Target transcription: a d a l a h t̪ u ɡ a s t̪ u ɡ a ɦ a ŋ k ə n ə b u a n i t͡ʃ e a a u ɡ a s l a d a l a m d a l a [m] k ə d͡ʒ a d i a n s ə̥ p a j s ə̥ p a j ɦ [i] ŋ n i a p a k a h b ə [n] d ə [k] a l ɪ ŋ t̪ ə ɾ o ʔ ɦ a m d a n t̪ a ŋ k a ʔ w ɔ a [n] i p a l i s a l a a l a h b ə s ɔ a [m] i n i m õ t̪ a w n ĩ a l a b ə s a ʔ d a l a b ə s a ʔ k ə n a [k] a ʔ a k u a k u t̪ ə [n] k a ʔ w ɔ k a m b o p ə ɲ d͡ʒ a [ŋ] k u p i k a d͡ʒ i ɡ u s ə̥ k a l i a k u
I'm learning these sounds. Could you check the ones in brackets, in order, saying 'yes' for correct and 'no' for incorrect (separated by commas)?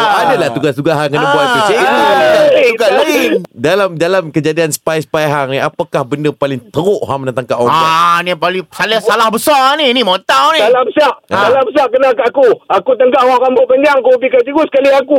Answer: yes, no, yes, no, yes, no, yes, no, yes